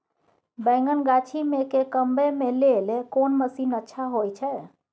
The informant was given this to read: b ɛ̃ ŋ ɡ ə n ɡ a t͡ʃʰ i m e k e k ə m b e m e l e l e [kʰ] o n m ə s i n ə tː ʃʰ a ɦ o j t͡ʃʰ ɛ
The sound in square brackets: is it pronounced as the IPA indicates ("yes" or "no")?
no